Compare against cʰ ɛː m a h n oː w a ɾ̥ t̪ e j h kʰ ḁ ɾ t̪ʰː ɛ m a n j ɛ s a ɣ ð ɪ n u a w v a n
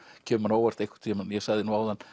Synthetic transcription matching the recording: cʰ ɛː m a n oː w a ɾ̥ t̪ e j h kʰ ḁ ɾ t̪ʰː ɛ m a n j ɛ s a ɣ ð ɪ n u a w ð a n